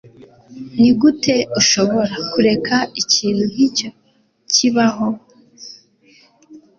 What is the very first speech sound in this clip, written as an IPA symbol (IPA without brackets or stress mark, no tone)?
n